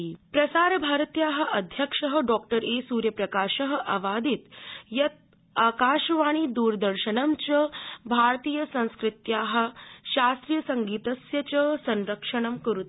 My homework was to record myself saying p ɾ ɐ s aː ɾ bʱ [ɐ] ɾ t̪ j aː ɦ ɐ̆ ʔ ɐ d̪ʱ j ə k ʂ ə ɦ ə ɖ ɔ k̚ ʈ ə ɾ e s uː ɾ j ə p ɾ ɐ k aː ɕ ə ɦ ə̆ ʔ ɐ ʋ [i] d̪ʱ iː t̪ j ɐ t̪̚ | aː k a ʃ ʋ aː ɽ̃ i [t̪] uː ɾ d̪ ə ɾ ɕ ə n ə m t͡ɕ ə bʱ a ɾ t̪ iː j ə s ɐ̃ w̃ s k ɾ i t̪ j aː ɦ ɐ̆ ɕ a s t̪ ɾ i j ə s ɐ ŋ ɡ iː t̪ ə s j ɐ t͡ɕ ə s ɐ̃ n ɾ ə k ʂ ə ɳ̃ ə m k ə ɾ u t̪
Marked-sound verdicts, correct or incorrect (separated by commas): incorrect, incorrect, incorrect